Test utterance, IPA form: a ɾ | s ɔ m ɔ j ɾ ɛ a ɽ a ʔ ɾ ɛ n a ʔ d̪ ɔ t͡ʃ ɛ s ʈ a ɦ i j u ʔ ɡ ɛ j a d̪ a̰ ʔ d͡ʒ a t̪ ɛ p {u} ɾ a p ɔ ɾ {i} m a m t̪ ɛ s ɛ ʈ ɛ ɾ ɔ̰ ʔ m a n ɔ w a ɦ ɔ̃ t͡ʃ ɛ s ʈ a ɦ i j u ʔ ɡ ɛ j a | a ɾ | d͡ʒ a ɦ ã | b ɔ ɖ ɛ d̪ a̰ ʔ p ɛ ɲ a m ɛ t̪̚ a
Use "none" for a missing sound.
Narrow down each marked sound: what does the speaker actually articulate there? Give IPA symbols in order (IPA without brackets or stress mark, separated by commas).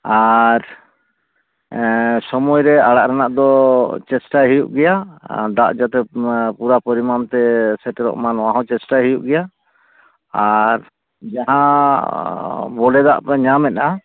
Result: u, i